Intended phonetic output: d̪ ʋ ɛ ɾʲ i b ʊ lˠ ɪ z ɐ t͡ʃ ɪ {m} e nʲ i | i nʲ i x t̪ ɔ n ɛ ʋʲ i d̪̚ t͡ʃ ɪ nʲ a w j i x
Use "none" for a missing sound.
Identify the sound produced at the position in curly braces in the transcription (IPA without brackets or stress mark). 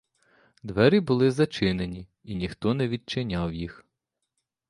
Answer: n